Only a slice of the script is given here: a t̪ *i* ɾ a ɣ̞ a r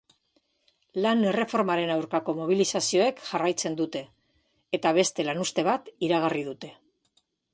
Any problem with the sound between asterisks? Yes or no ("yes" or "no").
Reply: no